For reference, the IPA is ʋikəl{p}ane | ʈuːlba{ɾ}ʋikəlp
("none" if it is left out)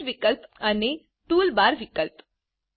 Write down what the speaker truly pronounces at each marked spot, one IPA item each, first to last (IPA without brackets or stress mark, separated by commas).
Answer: p, ɾ